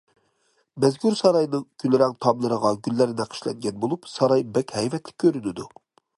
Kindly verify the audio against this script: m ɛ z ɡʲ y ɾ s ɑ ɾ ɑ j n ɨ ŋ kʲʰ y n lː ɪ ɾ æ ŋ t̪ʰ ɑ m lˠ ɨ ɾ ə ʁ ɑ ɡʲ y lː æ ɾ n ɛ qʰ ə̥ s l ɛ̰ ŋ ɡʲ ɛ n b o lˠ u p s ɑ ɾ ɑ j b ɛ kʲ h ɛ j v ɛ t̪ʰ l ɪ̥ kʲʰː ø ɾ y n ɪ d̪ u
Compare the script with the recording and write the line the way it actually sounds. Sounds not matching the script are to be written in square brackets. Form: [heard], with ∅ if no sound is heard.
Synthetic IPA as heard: m ɛ z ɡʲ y ɾ s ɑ ɾ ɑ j n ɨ ŋ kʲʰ y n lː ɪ ɾ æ ŋ t̪ʰ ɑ m lˠ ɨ ɾ ə ʁ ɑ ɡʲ y lː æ ɾ n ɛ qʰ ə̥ [ʃ] l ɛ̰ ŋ ɡʲ ɛ n b o lˠ u p s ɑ ɾ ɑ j b ɛ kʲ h ɛ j v ɛ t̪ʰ l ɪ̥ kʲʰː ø ɾ y n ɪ d̪ u

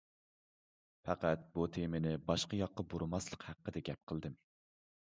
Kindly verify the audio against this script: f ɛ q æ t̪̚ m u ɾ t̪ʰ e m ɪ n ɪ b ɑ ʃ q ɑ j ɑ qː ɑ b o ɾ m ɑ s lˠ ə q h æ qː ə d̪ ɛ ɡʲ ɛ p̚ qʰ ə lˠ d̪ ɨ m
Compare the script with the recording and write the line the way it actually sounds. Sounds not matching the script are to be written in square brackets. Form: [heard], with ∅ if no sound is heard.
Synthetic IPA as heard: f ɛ q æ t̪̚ [b] u [∅] t̪ʰ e m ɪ n ɪ b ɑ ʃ q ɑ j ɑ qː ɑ b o ɾ m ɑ s lˠ ə q h æ qː ə d̪ ɛ ɡʲ ɛ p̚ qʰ ə lˠ d̪ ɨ m

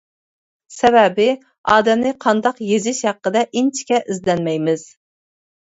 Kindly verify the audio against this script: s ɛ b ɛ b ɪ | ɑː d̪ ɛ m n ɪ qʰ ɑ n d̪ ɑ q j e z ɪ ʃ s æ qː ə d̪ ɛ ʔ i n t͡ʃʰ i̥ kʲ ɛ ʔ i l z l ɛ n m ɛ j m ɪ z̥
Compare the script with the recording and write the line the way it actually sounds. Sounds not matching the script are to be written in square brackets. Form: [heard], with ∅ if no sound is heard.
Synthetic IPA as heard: s ɛ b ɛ b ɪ | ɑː d̪ ɛ m n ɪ qʰ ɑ n d̪ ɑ q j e z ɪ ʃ [h] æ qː ə d̪ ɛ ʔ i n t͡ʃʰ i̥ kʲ ɛ ʔ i [∅] z l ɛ n m ɛ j m ɪ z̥

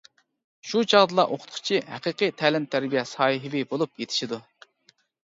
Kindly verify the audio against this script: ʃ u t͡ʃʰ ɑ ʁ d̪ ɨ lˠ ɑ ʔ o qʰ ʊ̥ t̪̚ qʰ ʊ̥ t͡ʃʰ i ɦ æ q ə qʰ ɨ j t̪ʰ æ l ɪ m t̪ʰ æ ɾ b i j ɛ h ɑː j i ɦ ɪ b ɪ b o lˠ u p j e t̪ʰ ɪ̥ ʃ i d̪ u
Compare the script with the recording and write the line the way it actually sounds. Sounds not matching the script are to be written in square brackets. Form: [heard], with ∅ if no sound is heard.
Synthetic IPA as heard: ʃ u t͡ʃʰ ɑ ʁ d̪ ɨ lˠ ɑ ʔ o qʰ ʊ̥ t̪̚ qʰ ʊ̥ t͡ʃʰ i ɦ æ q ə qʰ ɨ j t̪ʰ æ l ɪ m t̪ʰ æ ɾ b i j ɛ [s] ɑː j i ɦ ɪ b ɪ b o lˠ u p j e t̪ʰ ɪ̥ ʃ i d̪ u

